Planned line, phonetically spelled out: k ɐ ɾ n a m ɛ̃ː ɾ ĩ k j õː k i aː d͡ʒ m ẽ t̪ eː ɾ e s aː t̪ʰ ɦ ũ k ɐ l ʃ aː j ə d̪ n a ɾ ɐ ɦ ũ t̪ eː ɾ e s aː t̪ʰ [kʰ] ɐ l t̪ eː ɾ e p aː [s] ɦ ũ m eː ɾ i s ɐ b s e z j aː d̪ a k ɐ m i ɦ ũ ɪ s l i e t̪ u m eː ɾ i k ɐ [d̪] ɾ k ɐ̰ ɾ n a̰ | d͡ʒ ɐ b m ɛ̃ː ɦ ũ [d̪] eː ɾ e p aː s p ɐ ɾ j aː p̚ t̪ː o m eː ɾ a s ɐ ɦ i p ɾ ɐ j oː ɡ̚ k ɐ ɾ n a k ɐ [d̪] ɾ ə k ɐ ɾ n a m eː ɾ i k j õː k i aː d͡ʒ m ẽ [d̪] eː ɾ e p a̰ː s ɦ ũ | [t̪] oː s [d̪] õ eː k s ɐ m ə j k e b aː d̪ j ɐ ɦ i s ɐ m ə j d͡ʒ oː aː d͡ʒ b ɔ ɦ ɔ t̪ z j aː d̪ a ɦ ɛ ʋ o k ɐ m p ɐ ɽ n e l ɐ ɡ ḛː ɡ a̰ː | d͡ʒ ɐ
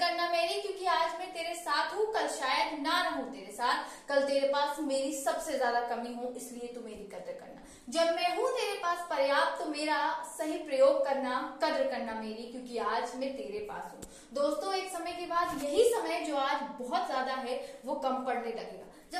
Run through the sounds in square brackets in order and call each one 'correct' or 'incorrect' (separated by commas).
incorrect, correct, correct, incorrect, correct, incorrect, incorrect, incorrect